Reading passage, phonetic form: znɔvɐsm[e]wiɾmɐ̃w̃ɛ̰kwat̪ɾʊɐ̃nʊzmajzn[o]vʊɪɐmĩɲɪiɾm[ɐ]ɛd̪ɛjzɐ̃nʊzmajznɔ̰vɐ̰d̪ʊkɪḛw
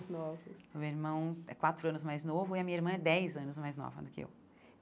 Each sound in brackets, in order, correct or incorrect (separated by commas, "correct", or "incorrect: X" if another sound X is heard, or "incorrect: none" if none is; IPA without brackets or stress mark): correct, correct, incorrect: ɐ̃